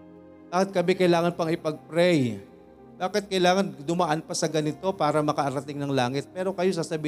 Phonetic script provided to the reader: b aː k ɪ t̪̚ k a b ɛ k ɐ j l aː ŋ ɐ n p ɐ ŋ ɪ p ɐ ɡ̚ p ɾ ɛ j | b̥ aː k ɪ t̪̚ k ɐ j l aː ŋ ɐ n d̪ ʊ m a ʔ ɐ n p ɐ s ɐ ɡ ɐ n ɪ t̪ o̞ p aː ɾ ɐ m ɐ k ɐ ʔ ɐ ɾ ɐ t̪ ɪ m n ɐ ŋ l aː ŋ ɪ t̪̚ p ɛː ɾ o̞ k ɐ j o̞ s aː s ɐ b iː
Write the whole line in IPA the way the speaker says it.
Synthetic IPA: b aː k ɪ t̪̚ k ɐ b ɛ k ɐ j l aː ŋ ɐ n p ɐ ŋ ɪ p ɐ ɡ̚ p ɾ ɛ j | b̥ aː k ɪ t̪̚ k ɐ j l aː ŋ ɐ n d̪ ʊ m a ʔ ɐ n p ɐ s ɐ ɡ ɐ n ɪ t̪ o̞ p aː ɾ ɐ m ɐ k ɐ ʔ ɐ ɾ ɐ t̪ ɪ ŋ n ɐ ŋ l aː ŋ ɪ t̪̚ p ɛː ɾ o̞ k ɐ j o̞ s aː s ɐ b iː